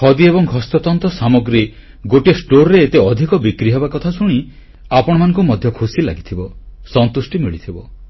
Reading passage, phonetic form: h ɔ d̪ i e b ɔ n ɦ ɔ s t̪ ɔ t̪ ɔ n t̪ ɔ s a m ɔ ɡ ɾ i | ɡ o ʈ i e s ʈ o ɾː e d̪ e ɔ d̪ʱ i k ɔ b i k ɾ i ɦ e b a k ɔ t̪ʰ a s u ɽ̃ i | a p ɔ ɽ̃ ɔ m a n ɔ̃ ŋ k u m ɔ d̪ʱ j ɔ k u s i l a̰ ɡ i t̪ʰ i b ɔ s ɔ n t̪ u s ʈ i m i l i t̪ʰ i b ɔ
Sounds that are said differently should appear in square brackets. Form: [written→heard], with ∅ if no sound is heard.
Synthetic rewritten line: h ɔ d̪ i e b ɔ [n→ŋ] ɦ ɔ s t̪ ɔ t̪ ɔ n t̪ ɔ s a m ɔ ɡ ɾ i | ɡ o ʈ i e s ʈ o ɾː e [d̪→t̪] e ɔ d̪ʱ i k ɔ b i k ɾ i ɦ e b a k ɔ t̪ʰ a s u ɽ̃ i | a p ɔ ɽ̃ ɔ m a n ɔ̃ ŋ k u m ɔ d̪ʱ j ɔ [k→kʰ] u s i l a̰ ɡ i t̪ʰ i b ɔ s ɔ n t̪ u s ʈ i m i [l→ɭ] i t̪ʰ i b ɔ